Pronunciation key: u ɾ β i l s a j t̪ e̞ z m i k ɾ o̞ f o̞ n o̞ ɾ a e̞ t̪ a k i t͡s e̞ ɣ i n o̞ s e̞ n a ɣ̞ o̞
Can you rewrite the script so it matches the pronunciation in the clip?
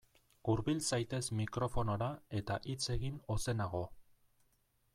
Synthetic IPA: u ɾ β i l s a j t̪ e̞ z m i k ɾ o̞ f o̞ n o̞ ɾ a e̞ t̪ a ʔ i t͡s e̞ ɣ i n o̞ s e̞ n a ɣ̞ o̞